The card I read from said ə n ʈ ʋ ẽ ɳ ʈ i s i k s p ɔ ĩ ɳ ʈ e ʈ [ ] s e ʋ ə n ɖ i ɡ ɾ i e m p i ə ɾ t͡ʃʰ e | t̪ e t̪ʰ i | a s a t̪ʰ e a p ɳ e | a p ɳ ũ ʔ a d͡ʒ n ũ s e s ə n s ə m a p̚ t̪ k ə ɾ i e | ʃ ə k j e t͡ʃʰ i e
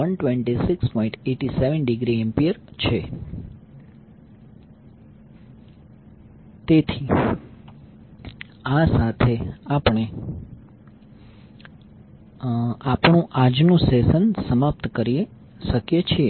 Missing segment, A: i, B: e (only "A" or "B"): A